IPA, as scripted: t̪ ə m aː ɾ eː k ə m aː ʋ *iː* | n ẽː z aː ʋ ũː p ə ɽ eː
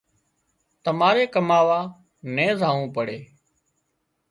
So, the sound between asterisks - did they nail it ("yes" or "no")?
no